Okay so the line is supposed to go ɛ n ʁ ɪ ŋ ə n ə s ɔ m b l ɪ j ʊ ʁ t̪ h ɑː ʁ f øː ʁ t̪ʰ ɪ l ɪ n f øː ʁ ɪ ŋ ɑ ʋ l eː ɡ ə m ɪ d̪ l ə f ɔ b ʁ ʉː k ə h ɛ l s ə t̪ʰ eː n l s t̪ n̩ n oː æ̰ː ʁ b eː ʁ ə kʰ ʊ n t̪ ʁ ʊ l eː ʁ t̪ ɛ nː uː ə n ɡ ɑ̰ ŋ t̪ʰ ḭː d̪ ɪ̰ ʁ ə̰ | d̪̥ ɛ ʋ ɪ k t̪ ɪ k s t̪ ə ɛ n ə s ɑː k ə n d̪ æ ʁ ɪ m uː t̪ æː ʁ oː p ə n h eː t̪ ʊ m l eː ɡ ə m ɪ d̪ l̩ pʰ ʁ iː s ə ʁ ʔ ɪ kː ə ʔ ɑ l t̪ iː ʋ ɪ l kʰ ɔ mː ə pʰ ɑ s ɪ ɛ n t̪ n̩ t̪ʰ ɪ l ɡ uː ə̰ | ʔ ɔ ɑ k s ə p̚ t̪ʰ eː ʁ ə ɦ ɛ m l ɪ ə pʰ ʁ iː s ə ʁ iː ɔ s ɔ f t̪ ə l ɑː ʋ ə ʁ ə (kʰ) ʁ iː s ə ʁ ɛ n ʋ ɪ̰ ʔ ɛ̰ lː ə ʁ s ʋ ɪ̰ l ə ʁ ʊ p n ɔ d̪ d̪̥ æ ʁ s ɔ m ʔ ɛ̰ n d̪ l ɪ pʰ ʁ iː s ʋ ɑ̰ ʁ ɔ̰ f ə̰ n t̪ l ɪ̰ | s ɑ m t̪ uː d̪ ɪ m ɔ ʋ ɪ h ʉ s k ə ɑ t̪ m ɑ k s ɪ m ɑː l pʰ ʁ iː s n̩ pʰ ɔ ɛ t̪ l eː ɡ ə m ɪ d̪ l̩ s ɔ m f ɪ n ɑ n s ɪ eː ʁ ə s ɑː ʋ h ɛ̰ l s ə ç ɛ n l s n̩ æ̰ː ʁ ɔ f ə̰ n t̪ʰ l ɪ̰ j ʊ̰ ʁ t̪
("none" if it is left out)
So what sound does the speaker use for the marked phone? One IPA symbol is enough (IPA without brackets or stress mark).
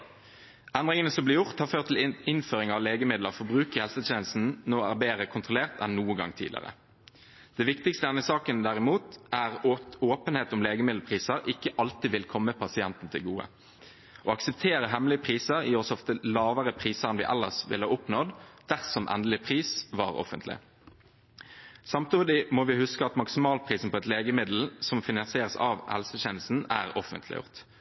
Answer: pʰ